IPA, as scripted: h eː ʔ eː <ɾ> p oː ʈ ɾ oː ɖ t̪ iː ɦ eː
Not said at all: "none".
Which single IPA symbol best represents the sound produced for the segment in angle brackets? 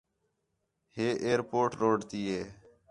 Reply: ɾ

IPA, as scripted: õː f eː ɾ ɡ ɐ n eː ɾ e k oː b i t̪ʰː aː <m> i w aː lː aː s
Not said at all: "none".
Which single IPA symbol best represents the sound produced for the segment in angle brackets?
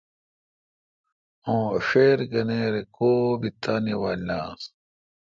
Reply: n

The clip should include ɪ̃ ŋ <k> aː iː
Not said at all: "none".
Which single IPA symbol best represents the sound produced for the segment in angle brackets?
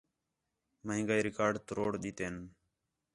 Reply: ɡ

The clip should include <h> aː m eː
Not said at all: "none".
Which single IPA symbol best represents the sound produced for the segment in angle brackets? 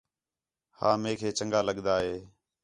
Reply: h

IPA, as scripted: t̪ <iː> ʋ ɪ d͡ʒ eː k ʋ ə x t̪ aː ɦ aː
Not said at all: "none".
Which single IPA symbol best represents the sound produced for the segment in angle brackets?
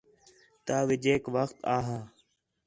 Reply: aː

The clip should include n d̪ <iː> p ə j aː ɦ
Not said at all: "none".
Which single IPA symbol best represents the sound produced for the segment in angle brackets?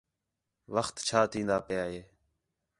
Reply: aː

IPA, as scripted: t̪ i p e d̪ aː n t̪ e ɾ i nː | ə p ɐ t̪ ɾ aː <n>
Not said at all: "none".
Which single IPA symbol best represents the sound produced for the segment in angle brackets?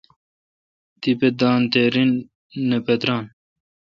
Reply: n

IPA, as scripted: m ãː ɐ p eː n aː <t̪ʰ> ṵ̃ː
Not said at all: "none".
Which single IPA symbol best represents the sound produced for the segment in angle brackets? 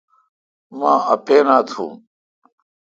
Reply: t̪ʰ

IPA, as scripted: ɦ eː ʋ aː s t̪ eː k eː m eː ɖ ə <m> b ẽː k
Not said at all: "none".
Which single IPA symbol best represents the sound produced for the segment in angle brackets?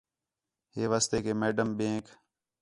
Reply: m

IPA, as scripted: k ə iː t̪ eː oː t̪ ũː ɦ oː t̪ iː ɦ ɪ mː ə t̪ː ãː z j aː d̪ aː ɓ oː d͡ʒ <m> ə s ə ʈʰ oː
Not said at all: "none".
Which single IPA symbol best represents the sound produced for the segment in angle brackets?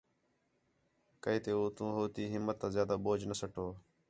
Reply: n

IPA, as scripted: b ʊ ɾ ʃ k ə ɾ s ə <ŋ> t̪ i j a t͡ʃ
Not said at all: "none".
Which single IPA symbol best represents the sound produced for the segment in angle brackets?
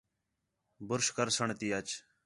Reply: ɳ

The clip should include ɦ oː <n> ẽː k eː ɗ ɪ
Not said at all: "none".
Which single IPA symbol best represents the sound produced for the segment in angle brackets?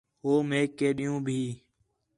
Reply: m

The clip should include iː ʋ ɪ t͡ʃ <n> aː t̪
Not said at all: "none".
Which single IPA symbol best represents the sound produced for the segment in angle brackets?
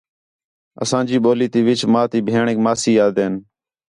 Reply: m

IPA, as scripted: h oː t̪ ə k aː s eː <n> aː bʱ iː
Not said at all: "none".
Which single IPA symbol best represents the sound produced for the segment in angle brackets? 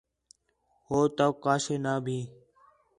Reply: n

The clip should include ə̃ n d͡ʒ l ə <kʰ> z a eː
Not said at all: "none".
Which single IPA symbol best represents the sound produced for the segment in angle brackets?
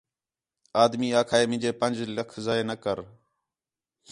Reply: kʰ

